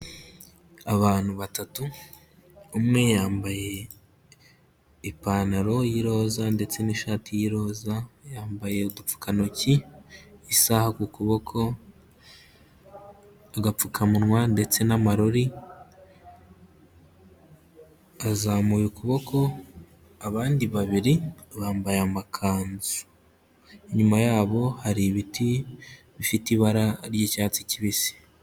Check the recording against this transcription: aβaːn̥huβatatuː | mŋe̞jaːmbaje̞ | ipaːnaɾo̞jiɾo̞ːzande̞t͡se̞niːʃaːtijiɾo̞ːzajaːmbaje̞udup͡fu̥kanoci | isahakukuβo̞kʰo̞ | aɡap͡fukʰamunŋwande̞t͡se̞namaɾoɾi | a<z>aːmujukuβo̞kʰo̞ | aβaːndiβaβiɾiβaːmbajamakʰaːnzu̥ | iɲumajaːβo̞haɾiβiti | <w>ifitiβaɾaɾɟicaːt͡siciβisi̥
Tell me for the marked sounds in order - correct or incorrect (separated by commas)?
correct, incorrect